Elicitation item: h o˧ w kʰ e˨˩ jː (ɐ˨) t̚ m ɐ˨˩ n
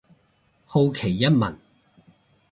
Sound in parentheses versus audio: incorrect: ɐ˥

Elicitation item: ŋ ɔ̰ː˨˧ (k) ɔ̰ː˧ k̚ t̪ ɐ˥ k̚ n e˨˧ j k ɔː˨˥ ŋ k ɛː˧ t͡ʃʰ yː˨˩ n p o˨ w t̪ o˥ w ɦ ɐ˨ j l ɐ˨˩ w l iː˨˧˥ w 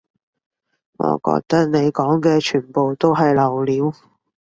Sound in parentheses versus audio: correct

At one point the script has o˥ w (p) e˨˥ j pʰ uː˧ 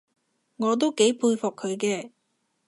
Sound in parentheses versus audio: incorrect: k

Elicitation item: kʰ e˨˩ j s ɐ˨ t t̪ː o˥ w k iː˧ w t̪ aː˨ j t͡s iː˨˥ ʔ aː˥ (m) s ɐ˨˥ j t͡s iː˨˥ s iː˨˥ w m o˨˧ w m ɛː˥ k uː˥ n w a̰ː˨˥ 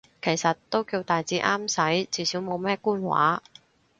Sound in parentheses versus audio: correct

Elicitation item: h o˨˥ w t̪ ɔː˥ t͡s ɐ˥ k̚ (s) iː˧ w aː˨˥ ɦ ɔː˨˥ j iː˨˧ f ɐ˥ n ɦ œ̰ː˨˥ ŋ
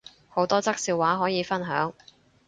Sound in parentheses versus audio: correct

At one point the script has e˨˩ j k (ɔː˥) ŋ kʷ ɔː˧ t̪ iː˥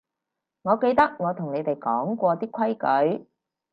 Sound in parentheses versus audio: incorrect: ɔː˨˥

